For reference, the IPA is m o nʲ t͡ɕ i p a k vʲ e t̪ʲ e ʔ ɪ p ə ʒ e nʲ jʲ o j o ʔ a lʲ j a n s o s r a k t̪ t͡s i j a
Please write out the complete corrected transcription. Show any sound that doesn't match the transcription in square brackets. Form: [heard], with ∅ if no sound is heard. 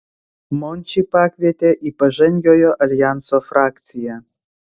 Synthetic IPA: m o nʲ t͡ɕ i p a k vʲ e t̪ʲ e ʔ [i] p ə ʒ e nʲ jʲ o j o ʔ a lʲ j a n s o [f] r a k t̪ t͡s i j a